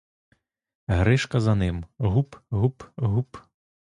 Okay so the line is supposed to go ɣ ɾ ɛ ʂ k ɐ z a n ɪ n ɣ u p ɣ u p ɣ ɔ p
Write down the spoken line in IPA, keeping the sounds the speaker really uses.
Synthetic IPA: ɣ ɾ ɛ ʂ k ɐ z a n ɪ m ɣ u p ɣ u p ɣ u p